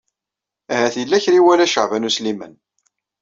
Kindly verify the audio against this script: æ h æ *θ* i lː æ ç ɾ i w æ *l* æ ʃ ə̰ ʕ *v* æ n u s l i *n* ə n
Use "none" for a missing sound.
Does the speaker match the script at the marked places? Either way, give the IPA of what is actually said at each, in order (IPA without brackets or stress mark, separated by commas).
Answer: θ, l, v, m